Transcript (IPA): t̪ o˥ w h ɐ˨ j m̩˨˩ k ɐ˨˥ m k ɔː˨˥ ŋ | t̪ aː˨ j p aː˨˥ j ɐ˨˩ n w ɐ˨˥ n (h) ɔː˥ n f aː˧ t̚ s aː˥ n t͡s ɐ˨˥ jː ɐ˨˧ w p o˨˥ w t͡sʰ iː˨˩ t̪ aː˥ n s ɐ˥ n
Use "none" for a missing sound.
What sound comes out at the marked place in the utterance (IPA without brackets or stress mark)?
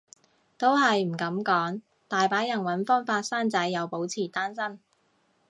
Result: f